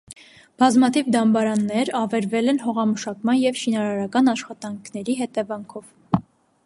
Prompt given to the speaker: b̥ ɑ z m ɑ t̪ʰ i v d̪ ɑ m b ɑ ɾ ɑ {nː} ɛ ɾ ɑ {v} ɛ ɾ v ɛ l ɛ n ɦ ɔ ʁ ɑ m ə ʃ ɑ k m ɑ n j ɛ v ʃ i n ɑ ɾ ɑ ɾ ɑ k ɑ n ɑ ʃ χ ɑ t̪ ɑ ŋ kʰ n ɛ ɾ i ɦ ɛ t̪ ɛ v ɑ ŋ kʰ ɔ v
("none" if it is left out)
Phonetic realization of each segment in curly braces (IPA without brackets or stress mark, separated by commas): nː, v